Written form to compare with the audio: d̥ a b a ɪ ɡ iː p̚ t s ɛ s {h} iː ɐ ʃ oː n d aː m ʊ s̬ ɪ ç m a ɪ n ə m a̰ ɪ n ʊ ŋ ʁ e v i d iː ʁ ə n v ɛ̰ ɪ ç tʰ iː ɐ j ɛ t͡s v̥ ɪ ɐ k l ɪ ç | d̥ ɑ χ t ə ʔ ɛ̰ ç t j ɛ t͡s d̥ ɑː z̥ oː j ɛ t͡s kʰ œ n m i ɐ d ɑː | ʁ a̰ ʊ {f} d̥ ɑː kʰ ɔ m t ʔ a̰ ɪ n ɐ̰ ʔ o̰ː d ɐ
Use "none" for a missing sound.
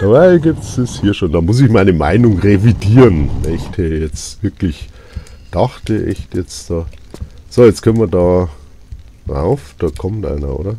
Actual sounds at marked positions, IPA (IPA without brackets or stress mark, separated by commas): h, f